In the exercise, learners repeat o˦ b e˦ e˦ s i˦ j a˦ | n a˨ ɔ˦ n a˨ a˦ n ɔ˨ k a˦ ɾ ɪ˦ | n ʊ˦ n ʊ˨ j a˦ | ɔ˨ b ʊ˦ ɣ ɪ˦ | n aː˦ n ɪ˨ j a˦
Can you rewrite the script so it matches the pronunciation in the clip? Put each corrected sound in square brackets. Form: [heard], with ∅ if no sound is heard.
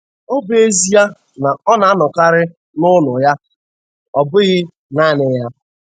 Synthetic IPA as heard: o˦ b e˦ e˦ [z] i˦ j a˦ | n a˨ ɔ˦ n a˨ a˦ n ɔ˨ k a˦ ɾ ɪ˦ | n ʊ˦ n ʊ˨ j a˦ | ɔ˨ b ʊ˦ ɣ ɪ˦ | n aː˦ n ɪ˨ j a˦